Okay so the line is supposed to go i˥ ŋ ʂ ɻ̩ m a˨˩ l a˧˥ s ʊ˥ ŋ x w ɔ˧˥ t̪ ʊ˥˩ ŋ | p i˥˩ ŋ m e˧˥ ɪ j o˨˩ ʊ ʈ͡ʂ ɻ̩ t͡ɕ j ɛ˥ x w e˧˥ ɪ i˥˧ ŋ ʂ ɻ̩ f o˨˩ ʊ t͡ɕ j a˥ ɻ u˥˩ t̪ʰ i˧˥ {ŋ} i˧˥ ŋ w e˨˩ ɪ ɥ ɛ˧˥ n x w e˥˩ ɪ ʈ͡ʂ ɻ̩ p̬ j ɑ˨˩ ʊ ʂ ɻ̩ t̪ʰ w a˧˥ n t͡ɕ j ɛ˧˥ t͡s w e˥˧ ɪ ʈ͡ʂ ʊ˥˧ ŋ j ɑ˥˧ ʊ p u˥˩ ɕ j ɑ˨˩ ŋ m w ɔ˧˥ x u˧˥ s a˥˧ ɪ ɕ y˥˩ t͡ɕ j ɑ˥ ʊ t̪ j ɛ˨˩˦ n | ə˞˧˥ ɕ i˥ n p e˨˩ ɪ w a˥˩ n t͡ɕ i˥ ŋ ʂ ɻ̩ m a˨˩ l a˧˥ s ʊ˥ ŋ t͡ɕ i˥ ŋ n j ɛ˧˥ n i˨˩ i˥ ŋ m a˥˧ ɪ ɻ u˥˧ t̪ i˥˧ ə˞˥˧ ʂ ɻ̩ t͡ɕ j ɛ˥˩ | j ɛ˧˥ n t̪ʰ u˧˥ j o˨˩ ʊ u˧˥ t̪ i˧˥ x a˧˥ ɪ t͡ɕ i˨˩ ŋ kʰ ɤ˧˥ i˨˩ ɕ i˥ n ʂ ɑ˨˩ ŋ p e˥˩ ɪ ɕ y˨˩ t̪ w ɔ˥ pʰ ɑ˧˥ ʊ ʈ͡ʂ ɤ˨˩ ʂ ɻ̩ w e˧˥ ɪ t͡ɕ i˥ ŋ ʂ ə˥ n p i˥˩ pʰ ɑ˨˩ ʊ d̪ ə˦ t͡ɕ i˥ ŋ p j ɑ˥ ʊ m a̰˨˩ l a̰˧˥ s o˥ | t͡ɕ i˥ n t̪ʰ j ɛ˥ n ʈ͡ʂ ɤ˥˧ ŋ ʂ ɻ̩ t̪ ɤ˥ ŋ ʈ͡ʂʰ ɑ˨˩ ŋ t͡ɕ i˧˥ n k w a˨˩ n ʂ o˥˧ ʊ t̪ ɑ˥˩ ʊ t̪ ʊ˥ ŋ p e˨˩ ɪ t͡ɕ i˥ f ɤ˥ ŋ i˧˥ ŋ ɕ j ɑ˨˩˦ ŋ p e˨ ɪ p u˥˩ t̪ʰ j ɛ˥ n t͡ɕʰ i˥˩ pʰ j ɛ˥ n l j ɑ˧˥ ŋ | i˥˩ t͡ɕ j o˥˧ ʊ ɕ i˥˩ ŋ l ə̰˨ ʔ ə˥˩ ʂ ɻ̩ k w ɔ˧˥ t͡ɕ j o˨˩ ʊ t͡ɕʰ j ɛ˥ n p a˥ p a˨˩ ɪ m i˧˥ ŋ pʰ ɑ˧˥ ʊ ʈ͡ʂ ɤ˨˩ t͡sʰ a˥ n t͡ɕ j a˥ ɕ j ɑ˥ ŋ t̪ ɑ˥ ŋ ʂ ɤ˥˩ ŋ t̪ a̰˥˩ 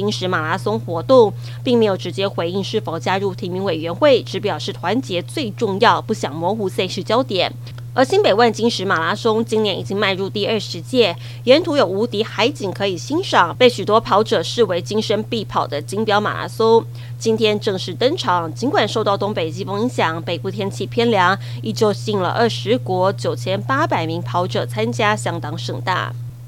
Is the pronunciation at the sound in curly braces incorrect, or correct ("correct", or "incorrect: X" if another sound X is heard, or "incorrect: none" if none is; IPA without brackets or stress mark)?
incorrect: m